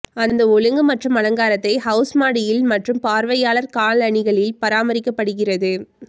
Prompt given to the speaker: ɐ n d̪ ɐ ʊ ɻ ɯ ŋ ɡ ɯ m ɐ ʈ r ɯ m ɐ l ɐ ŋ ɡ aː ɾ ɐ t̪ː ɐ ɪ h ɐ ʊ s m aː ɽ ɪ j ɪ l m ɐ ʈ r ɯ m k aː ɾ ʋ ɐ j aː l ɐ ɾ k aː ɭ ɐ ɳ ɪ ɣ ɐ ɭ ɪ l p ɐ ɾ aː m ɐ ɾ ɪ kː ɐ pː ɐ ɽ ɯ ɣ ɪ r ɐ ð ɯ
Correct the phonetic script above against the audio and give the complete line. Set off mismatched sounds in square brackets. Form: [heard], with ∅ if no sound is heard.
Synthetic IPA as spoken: ɐ n d̪ ɐ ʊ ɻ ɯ ŋ ɡ ɯ m ɐ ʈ r ɯ m ɐ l ɐ ŋ ɡ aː ɾ ɐ t̪ː ɐ ɪ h ɐ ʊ s m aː ɽ ɪ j ɪ l m ɐ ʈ r ɯ m [p] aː ɾ ʋ ɐ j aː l ɐ ɾ k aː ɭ ɐ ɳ ɪ ɣ ɐ ɭ ɪ l p ɐ ɾ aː m ɐ ɾ ɪ kː ɐ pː ɐ ɽ ɯ ɣ ɪ r ɐ ð ɯ